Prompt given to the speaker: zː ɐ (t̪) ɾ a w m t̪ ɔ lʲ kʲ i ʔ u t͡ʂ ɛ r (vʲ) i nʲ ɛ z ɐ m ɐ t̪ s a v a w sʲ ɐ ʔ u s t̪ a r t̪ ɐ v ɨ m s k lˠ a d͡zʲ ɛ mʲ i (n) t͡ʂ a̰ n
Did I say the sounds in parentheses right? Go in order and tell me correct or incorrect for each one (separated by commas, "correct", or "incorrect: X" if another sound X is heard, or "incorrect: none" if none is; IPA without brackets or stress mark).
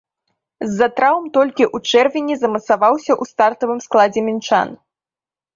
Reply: correct, correct, correct